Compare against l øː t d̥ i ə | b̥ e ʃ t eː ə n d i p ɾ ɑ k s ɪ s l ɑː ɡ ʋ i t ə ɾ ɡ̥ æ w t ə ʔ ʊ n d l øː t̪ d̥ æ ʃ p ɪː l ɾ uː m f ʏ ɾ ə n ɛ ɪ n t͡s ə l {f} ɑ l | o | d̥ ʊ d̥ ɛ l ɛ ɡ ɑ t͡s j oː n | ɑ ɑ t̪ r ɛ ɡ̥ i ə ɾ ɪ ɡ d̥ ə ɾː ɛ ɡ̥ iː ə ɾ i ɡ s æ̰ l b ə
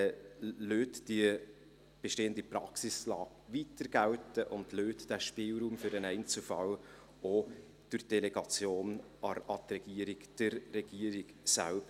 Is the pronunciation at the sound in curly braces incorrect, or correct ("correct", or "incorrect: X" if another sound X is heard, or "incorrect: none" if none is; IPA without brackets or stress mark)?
correct